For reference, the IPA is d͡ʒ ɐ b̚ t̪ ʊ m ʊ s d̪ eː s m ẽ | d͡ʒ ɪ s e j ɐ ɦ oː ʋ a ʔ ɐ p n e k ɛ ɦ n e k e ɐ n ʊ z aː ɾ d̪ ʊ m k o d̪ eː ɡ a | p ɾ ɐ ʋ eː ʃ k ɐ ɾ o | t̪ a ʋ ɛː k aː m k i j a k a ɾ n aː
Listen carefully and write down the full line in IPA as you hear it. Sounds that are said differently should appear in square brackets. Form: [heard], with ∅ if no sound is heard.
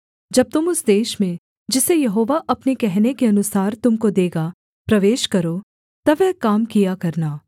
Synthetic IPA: d͡ʒ ɐ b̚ t̪ ʊ m ʊ s d̪ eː [ʃ] m ẽ | d͡ʒ ɪ s e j ɐ ɦ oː ʋ a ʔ ɐ p n e k ɛ ɦ n e k e ɐ n ʊ [s] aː ɾ [t̪] ʊ m k o d̪ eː ɡ a | p ɾ ɐ ʋ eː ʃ k ɐ ɾ o | t̪ [ɐ] ʋ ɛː k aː m k i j a k [ɐ] ɾ n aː